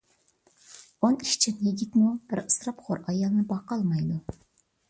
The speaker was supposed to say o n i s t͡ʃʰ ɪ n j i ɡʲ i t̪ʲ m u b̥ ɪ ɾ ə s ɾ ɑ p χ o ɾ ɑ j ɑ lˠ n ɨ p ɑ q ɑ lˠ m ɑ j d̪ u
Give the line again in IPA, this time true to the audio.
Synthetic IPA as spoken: o n i ʃ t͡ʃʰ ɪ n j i ɡʲ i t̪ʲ m u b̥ ɪ ɾ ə s ɾ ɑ p χ o ɾ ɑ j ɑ lˠ n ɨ b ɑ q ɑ lˠ m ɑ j d̪ u